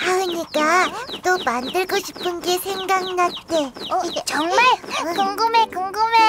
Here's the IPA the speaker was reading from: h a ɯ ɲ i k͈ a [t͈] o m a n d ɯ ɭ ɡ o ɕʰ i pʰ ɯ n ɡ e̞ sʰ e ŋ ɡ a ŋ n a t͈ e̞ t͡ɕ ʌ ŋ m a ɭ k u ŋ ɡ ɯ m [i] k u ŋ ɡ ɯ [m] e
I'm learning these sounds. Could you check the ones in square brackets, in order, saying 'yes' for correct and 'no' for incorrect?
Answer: yes, no, yes

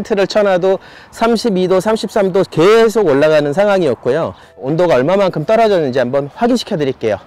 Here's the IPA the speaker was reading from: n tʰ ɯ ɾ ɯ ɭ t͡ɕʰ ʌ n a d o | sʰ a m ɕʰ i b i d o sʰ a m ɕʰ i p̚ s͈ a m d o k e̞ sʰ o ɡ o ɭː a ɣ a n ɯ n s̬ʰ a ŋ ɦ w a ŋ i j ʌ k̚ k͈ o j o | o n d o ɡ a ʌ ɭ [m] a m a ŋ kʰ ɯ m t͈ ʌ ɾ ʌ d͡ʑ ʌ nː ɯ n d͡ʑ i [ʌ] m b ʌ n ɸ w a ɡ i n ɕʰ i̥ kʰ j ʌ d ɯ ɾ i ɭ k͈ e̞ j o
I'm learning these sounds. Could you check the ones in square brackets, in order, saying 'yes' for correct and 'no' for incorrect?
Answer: yes, no

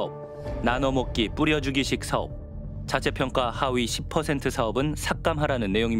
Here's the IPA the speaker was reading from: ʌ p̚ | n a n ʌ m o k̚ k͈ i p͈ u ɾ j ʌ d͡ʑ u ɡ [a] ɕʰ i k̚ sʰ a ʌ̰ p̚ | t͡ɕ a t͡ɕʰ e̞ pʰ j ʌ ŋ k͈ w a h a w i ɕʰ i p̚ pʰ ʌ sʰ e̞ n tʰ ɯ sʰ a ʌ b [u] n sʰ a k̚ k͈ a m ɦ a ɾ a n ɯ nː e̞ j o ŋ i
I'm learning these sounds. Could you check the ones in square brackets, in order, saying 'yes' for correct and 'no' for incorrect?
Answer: no, no

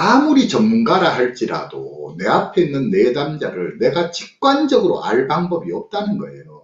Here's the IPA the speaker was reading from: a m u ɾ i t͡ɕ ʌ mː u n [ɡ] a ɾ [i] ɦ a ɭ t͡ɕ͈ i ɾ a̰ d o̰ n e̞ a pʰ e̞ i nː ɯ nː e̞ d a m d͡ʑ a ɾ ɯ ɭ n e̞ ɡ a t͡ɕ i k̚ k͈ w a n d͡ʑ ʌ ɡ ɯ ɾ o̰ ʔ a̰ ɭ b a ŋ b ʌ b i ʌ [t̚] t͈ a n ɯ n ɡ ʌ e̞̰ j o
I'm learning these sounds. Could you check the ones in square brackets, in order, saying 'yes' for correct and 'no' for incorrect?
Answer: yes, no, no

